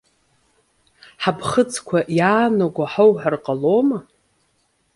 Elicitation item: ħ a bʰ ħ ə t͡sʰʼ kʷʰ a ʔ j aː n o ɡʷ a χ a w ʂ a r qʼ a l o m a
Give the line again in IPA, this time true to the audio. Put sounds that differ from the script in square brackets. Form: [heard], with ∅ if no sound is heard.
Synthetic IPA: ħ a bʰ [χ] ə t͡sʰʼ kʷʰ a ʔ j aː n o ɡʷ a [ħ] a w [ħ] a r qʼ a l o m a

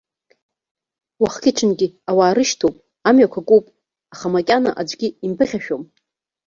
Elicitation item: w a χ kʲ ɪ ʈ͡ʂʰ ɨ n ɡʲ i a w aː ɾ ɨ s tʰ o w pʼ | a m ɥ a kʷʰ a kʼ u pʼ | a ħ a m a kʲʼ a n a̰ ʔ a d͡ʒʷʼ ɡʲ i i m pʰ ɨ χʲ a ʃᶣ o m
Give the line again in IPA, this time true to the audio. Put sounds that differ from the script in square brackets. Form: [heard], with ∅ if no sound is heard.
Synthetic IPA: w a χ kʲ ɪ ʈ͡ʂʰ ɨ n ɡʲ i a w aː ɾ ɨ [ʃ] tʰ o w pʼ | a m ɥ a kʷʰ a kʼ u pʼ | a [χ] a m a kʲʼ a n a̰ ʔ a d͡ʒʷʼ ɡʲ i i m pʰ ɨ χʲ a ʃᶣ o m

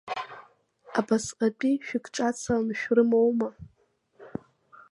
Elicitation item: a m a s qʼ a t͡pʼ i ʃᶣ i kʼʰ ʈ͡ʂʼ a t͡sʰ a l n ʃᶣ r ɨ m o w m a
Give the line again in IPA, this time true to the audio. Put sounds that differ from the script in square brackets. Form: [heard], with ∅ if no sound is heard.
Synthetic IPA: a [b] a s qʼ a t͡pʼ i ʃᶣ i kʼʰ ʈ͡ʂʼ a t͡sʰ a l n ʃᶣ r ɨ m o w m a

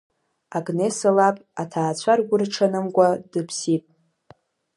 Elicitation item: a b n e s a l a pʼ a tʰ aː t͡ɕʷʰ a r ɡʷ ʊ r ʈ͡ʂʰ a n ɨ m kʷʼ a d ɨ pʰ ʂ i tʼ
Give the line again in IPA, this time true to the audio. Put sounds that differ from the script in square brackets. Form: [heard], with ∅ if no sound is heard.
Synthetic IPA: a [ɡ] n e s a l a pʼ a tʰ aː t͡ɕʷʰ a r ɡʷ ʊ r ʈ͡ʂʰ a n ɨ m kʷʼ a d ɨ pʰ [s] i [pʼ]

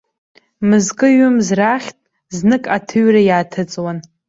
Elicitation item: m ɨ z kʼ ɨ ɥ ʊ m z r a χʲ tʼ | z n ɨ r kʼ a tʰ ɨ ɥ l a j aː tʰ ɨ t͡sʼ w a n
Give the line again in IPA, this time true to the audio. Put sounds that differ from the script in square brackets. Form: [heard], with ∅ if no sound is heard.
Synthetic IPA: m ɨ z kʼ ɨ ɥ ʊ m z r a χʲ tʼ | z n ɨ [∅] kʼ a tʰ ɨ ɥ [r] a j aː tʰ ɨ t͡sʼ w a n

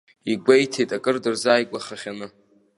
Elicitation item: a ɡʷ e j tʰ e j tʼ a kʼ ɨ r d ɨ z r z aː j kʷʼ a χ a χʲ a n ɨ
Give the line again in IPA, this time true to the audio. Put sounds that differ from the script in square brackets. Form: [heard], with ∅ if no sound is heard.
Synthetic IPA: [i] ɡʷ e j tʰ e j tʼ a kʼ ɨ r d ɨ [∅] r z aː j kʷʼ a χ a χʲ a n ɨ

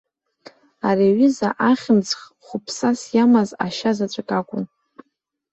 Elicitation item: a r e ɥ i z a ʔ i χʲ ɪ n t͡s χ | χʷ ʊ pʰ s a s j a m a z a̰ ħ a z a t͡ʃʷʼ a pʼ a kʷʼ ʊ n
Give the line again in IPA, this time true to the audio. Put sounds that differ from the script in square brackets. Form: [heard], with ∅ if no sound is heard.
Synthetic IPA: a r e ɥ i z a ʔ [a] χʲ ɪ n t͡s χ | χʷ ʊ pʰ s a s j a m a z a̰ [ʃ] a z a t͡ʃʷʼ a [kʼ] a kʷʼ ʊ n

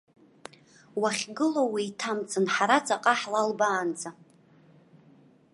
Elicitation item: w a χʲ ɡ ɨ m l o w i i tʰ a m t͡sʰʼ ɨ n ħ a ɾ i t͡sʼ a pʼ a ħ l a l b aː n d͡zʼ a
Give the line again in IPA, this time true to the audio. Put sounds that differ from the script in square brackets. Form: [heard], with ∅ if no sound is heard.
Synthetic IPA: w a χʲ ɡ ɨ [∅] l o w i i tʰ a m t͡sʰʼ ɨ n ħ a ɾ [a] t͡sʼ a [qʼ] a ħ l a l b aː n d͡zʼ a

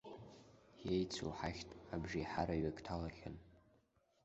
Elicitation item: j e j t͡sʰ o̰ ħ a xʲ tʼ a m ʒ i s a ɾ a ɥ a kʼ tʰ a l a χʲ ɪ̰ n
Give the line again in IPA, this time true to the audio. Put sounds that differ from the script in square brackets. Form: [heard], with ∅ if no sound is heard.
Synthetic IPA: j e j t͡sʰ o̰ ħ a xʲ tʼ a [b] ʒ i [ħ] a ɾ a ɥ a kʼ tʰ a l a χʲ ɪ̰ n

